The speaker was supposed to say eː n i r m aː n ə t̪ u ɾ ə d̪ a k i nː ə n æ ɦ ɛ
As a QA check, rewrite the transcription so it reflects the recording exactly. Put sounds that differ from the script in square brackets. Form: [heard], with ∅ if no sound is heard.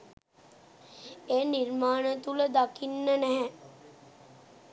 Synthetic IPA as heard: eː n i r m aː n ə t̪ u [l] ə d̪ a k i nː ə n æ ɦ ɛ